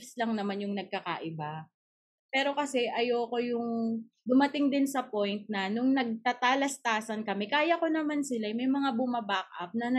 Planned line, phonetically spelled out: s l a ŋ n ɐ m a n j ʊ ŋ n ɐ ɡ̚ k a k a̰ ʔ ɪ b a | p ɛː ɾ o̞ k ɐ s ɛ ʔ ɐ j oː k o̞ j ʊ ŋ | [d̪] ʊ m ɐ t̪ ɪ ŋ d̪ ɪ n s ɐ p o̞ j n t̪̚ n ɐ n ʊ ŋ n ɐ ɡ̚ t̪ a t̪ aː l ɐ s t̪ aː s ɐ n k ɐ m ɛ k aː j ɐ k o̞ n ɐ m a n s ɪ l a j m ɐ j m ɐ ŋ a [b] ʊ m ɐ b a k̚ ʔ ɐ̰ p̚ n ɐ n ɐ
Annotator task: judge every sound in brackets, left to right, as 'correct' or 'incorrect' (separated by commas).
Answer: correct, correct